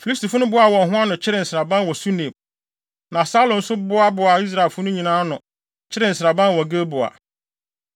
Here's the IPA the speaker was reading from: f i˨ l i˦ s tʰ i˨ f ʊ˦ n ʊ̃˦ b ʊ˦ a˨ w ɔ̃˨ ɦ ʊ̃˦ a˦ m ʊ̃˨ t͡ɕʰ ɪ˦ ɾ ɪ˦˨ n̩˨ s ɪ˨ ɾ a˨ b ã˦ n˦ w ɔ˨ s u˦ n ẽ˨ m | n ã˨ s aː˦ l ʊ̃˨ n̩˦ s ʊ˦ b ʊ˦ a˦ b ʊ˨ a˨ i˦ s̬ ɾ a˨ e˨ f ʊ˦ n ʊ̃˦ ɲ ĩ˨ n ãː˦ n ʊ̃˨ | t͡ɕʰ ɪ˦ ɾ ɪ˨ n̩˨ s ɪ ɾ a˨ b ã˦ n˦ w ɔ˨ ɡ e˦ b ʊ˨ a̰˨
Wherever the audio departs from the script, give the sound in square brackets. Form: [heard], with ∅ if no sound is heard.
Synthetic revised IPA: f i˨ l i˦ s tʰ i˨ f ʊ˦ n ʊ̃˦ b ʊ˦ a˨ w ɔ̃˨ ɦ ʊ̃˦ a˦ [n] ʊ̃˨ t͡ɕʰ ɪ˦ ɾ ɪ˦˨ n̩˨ s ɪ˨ ɾ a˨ b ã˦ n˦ w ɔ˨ s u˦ n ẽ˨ m | n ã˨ s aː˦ l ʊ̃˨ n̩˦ s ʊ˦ b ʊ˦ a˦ b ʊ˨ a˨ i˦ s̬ ɾ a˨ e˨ f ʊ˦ n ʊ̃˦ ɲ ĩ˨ n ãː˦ n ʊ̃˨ | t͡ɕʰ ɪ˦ ɾ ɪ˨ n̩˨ s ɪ ɾ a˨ b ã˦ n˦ w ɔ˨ ɡ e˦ b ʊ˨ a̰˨